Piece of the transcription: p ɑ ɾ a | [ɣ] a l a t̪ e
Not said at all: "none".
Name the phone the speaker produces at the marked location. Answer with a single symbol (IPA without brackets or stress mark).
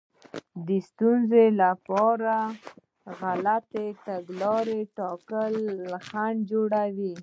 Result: ɣ